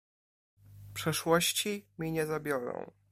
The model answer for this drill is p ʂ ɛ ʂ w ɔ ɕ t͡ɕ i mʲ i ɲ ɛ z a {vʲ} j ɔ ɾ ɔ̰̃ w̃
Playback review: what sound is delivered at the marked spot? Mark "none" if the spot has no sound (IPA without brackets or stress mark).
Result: bʲ